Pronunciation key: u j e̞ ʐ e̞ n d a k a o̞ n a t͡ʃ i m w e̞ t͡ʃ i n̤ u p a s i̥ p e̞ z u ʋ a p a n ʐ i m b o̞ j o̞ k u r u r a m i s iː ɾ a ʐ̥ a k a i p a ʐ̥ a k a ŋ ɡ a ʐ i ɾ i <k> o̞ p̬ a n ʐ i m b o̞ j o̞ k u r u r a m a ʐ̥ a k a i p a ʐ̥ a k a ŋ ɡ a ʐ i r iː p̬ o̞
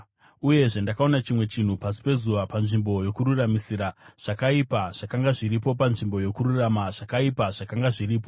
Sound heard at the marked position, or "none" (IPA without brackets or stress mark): p